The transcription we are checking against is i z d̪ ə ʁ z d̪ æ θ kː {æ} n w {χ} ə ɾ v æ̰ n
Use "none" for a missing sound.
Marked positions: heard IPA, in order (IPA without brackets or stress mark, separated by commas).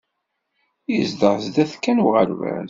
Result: æ, ʁ